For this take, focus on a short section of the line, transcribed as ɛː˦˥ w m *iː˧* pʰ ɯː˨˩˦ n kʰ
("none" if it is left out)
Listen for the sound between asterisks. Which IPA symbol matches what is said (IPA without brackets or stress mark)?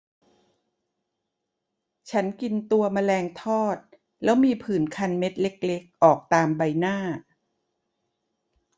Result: iː˧